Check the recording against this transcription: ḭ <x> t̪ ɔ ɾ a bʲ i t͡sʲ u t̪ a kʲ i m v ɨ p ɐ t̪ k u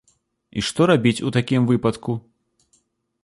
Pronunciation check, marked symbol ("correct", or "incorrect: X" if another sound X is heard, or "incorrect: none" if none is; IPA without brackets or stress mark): incorrect: ʂ